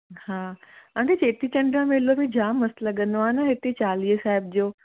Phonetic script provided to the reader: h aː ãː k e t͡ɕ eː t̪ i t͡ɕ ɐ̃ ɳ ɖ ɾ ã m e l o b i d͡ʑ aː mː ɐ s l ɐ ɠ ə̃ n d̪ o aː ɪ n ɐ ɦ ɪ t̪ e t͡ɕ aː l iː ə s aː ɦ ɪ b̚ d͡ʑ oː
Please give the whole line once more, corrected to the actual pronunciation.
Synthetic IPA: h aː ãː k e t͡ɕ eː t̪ i t͡ɕ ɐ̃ ɳ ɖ ɾ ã m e l o b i d͡ʑ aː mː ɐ s l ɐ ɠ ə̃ n d̪ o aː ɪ n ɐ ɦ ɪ t̪ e t͡ɕ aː l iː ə s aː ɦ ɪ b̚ d͡ʑ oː